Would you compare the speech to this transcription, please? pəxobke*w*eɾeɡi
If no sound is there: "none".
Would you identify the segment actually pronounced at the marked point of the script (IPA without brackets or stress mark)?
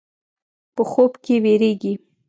w